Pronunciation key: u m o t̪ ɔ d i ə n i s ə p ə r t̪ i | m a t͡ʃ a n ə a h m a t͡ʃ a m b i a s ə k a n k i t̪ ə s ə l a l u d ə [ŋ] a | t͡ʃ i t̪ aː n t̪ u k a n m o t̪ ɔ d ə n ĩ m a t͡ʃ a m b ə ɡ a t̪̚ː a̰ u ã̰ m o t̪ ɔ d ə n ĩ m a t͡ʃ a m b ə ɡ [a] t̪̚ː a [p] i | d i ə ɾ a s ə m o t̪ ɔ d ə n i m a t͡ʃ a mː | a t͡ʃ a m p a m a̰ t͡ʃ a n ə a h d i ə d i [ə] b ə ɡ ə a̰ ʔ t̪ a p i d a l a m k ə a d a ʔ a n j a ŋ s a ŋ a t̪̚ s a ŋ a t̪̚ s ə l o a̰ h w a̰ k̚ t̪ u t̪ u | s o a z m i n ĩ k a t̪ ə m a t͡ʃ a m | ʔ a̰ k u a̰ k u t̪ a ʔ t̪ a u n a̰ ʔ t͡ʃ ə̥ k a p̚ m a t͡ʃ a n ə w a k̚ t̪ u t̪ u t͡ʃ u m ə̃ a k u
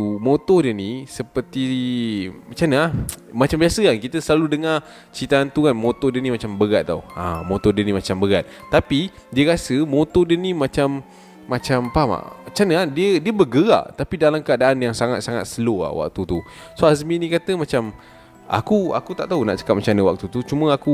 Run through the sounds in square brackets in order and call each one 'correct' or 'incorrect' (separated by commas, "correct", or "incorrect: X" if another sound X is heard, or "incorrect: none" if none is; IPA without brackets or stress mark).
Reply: correct, correct, correct, correct